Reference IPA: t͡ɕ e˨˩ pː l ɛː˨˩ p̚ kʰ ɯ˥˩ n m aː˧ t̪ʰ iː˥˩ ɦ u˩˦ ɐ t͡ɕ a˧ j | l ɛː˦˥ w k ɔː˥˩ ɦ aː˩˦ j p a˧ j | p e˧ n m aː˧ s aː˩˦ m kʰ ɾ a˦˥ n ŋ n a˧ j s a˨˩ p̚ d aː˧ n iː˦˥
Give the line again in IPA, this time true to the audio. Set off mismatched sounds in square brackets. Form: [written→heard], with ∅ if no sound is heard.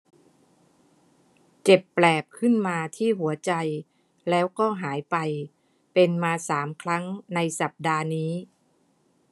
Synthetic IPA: t͡ɕ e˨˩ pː l ɛː˨˩ p̚ kʰ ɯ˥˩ n m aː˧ t̪ʰ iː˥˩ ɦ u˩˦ ɐ t͡ɕ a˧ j | l ɛː˦˥ w k ɔː˥˩ ɦ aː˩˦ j p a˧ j | p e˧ n m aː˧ s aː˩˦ m kʰ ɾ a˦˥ [n→∅] ŋ n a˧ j s a˨˩ p̚ d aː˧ n iː˦˥